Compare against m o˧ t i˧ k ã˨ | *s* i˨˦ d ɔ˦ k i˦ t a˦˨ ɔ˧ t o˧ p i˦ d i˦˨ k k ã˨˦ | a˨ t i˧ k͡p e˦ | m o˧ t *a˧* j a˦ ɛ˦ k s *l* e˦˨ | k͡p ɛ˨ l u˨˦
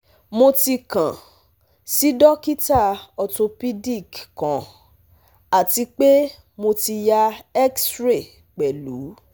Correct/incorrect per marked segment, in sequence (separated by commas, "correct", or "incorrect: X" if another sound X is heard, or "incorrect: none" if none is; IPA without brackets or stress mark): correct, incorrect: i˧, incorrect: ɾ